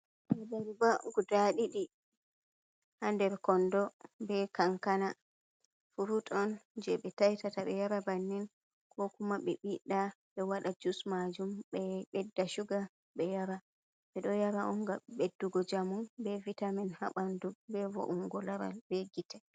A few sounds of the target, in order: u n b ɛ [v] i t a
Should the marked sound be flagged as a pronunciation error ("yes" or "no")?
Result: no